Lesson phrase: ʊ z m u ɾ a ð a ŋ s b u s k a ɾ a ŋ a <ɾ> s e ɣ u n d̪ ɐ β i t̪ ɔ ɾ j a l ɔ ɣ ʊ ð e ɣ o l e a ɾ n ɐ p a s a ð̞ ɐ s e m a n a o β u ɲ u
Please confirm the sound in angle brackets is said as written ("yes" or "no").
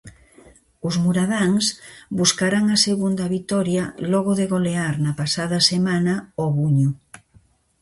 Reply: no